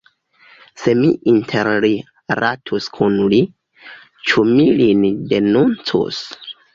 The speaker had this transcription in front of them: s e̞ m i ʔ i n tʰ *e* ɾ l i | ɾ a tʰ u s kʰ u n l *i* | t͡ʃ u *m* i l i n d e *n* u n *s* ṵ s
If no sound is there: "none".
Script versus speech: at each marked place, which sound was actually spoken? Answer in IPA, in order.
e, i, m, n, t͡s

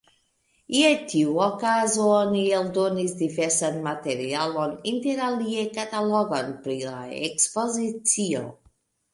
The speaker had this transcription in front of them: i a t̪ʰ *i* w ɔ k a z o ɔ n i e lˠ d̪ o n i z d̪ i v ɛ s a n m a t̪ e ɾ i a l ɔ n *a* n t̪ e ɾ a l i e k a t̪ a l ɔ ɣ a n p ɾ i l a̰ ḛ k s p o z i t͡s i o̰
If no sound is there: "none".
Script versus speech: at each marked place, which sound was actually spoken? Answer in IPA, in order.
i, i

